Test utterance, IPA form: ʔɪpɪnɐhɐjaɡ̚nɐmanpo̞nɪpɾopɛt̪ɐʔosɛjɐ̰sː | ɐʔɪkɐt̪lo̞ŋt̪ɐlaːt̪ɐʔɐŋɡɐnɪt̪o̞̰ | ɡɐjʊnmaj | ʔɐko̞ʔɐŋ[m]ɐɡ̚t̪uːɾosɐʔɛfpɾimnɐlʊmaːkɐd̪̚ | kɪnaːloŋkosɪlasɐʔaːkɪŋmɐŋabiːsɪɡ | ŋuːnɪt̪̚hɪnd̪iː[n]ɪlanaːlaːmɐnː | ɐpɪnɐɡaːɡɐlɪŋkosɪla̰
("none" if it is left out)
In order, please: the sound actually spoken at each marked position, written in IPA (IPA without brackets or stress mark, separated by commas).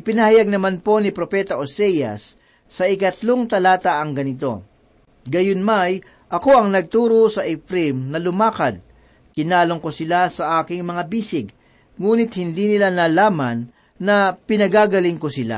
n, n